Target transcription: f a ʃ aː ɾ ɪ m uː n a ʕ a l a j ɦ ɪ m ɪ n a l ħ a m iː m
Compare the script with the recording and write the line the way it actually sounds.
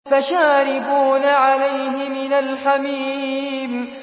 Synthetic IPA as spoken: f a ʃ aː ɾ ɪ b uː n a ʕ a l a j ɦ ɪ m ɪ n a l ħ a m iː m